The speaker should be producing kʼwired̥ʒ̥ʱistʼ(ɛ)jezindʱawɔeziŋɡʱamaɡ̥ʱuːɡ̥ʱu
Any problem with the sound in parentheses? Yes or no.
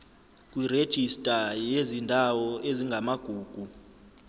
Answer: yes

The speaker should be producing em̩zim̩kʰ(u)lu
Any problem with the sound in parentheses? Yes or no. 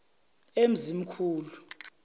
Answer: yes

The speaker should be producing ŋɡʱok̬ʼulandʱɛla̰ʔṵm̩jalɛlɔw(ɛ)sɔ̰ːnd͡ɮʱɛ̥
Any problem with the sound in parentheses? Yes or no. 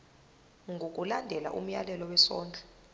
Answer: no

